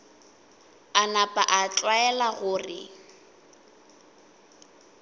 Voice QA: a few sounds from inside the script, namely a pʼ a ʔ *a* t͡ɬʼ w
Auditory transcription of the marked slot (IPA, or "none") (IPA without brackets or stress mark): a